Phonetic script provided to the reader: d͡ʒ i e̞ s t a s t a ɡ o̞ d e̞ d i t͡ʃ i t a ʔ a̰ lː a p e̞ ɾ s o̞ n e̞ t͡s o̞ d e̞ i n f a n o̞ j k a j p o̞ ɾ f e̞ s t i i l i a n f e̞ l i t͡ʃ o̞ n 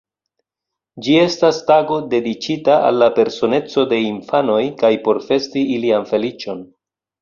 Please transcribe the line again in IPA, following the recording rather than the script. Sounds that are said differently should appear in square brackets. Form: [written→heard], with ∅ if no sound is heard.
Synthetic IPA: d͡ʒ i e̞ s t a s t a ɡ o̞ d e̞ d i t͡ʃ i t a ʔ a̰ lː a p e̞ ɾ s o̞ n e̞ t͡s o̞ d e̞ i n f a n o̞ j k a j p o̞ ɾ f e̞ s t i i l i a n f e̞ l i t͡ʃ o̞ n